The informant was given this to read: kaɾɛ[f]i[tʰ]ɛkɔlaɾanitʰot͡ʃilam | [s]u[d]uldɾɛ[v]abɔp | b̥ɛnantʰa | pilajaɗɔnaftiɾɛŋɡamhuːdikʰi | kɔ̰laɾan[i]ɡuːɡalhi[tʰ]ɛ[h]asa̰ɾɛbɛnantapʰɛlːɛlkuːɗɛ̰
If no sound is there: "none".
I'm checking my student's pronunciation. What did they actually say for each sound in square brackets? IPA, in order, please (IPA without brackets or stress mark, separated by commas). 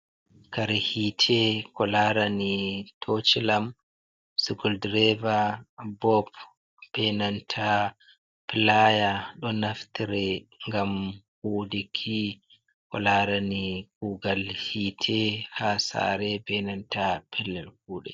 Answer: h, tʰ, s, ɡ, v, i, tʰ, h